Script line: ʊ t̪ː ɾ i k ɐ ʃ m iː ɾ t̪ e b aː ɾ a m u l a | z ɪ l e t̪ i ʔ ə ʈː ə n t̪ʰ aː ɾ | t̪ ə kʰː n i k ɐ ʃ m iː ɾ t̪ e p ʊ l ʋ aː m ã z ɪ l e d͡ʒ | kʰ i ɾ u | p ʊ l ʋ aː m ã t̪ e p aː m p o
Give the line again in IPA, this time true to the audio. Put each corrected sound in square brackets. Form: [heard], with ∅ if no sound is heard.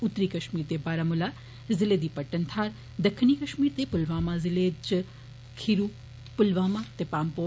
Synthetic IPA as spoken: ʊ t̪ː ɾ i k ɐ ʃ m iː ɾ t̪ e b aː ɾ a m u l a | z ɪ l e [d̪] i [p] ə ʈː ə n t̪ʰ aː ɾ | [d̪] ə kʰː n i k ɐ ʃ m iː ɾ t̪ e p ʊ l ʋ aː m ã z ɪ l e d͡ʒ | kʰ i ɾ u | p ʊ l ʋ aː m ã t̪ e p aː m p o